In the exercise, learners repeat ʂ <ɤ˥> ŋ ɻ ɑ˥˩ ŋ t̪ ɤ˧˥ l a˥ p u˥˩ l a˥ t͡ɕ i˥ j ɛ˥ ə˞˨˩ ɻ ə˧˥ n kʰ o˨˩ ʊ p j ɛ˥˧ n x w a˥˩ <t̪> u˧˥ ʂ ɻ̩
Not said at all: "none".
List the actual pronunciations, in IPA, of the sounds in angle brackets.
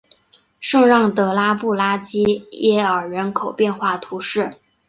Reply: ɤ˥˧, t̪ʰ

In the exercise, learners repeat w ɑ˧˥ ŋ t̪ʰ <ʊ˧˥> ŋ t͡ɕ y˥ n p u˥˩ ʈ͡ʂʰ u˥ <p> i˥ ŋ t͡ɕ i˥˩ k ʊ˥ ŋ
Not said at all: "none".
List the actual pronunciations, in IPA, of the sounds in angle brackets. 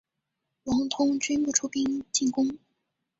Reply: ʊ˥, p

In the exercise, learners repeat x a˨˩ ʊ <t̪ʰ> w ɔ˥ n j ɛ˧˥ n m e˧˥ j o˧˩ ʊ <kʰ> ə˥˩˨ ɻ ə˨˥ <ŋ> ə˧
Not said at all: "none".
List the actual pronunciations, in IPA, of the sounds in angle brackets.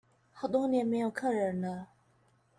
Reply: t̪, kʰ, n

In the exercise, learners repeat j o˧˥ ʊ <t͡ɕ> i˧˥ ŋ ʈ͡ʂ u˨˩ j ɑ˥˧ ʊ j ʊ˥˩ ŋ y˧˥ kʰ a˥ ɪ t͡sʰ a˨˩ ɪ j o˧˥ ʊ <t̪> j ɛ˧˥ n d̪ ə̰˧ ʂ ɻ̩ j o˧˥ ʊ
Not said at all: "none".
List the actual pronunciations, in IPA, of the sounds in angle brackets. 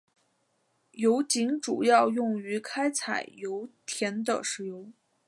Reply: t͡ɕ, t̪ʰ

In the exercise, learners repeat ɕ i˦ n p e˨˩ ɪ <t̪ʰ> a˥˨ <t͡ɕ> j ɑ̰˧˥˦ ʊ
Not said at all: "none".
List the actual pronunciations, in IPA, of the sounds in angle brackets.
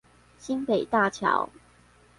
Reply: t̪, t͡ɕʰ

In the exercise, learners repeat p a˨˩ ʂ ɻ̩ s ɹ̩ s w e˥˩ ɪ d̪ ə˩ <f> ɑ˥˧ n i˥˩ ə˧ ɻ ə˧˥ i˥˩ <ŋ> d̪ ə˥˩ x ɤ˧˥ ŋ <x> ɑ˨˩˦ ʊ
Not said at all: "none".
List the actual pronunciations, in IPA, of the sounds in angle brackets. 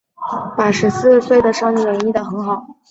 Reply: ʂ, none, x

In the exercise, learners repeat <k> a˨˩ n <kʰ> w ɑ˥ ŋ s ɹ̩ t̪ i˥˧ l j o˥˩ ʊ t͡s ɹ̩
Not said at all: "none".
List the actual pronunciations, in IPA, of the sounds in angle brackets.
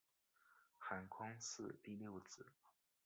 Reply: x, kʰ

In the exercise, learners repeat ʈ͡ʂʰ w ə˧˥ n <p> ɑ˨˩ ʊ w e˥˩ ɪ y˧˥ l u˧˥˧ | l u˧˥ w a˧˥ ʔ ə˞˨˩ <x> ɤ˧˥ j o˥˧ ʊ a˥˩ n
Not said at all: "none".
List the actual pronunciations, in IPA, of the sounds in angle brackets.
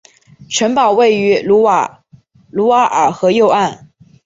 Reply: p, x

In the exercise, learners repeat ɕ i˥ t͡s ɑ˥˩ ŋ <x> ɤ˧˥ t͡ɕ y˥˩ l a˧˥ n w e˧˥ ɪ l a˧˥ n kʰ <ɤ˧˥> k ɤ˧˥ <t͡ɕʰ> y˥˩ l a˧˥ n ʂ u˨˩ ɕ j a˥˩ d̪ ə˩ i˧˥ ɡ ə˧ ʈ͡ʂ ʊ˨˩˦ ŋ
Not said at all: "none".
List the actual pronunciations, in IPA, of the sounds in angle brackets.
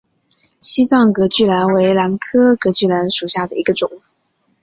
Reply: k, ɤ˥, t͡ɕ

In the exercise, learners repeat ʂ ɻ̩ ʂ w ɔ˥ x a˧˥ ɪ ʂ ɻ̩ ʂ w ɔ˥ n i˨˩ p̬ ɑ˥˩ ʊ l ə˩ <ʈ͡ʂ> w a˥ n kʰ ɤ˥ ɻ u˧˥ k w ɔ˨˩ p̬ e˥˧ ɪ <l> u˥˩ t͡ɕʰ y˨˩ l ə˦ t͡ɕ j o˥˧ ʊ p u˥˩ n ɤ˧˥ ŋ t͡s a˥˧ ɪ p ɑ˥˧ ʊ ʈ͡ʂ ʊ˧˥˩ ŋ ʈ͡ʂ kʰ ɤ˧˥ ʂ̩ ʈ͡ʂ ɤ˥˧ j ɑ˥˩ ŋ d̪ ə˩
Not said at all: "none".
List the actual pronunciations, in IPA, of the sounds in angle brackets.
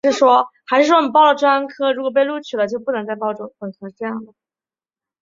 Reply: ʈ͡ʂ, l

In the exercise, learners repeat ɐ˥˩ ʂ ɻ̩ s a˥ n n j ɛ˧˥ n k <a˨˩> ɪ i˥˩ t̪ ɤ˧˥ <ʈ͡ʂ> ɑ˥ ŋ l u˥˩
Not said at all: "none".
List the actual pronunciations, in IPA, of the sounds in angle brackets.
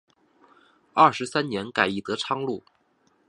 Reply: a˨˩, ʈ͡ʂʰ

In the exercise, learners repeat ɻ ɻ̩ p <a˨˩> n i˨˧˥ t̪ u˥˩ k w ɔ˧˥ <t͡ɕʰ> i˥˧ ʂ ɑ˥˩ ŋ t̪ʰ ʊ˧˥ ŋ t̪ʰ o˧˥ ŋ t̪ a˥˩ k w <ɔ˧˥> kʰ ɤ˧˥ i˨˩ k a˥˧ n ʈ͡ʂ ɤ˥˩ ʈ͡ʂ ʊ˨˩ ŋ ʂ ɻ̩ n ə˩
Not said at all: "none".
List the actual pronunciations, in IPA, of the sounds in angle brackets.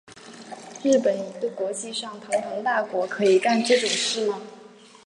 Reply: ə˨˩, t͡ɕ, ɔ˧˥

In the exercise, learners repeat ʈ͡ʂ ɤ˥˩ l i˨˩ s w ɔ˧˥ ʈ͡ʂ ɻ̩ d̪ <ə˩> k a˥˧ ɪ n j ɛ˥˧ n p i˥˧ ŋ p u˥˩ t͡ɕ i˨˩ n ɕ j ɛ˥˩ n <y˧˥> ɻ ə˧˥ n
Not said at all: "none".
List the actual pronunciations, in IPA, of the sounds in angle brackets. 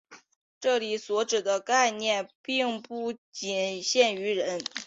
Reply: ə˦, y˧˥

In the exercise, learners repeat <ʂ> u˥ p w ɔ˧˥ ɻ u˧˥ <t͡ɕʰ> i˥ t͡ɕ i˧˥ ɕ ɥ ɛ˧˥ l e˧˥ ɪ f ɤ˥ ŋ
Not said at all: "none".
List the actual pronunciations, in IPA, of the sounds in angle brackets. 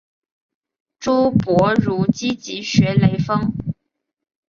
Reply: ʈ͡ʂ, t͡ɕ

